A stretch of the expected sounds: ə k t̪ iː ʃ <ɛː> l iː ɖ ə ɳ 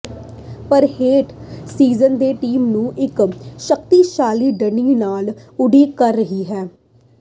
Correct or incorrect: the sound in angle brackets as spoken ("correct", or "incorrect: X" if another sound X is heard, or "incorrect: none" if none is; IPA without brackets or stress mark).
incorrect: aː